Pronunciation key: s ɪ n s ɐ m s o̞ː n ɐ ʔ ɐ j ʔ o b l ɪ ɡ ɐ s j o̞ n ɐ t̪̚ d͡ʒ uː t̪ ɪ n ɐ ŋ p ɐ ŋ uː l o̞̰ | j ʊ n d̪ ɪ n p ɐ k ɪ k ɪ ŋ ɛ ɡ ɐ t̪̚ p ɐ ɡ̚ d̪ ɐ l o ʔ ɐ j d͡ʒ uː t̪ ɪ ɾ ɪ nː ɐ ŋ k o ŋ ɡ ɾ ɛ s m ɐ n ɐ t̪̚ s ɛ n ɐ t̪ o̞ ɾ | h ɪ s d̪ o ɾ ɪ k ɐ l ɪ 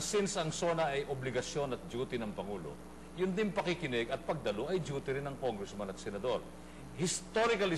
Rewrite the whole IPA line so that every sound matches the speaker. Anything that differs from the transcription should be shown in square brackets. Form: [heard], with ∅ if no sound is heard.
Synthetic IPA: s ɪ n s ɐ [ŋ] s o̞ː n ɐ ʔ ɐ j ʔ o b l ɪ ɡ ɐ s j o̞ n ɐ t̪̚ d͡ʒ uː t̪ ɪ n ɐ ŋ p ɐ ŋ uː l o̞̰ | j ʊ n d̪ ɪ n p ɐ k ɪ k ɪ [n] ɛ ɡ ɐ t̪̚ p ɐ ɡ̚ d̪ ɐ l o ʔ ɐ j d͡ʒ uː t̪ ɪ ɾ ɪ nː ɐ ŋ k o ŋ ɡ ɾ ɛ s m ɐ n ɐ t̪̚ s ɛ n ɐ [d̪] o̞ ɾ | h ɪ s [t̪] o ɾ ɪ k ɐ l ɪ